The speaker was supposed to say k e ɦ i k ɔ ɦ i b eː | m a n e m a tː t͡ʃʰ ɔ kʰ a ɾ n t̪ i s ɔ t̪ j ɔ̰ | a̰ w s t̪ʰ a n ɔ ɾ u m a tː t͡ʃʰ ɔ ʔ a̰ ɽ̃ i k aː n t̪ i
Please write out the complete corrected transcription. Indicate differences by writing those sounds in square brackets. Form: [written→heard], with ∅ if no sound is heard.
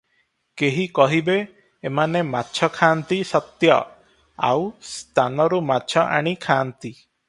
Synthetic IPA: k e ɦ i k ɔ ɦ i b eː | m a n e m a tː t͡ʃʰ ɔ kʰ a [ɾ→∅] n t̪ i s ɔ t̪ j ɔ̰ | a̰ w s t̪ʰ a n ɔ ɾ u m a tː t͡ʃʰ ɔ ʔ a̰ ɽ̃ i [k→kʰ] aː n t̪ i